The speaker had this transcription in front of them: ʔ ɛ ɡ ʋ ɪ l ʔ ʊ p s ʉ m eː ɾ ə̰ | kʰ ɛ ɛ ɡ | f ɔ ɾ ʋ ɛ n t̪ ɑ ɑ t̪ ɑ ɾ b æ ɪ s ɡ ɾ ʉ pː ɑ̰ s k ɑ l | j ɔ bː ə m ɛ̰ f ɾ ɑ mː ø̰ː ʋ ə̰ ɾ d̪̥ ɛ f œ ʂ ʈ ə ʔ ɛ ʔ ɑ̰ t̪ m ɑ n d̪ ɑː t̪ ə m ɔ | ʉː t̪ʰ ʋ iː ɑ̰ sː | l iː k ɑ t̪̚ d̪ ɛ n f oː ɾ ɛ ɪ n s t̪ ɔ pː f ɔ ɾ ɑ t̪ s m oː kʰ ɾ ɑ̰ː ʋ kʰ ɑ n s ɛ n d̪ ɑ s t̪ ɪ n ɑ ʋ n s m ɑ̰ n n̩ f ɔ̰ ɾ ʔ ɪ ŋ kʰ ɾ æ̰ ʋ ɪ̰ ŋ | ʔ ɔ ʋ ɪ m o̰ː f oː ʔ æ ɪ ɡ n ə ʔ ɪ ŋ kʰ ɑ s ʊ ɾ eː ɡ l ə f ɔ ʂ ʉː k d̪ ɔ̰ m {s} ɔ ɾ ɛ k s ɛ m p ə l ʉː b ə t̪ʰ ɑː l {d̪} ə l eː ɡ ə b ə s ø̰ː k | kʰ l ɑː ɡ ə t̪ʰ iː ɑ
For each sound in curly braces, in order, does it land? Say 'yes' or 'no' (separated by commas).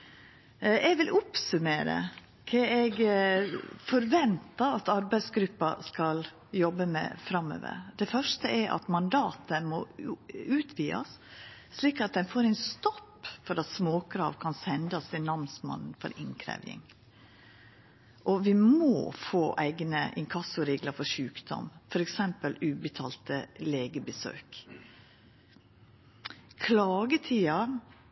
no, no